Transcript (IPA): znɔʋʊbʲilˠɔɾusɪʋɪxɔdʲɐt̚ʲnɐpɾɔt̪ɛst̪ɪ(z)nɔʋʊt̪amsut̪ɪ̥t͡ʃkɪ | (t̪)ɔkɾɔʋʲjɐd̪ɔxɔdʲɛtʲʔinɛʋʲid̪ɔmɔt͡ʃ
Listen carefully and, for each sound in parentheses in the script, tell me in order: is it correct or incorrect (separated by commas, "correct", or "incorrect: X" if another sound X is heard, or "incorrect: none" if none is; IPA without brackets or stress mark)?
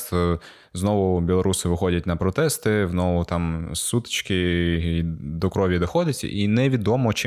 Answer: correct, incorrect: d̪